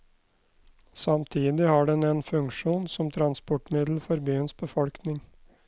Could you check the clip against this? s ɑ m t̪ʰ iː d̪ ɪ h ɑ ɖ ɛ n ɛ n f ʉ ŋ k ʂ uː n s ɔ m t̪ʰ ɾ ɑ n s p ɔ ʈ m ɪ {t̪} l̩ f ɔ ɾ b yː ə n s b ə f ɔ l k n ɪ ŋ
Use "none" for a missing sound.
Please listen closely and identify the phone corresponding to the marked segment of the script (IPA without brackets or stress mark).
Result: d̪